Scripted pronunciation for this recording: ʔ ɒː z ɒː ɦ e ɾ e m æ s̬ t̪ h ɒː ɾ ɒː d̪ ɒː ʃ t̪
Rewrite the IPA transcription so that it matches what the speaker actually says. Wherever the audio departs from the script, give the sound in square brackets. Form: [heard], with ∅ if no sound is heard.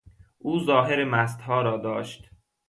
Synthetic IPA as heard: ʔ [uː] z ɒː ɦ e ɾ e m æ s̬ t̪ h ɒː ɾ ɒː d̪ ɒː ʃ t̪